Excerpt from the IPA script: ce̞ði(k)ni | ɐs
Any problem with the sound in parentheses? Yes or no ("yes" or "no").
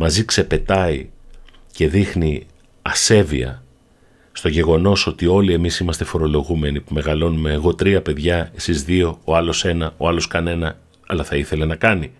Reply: yes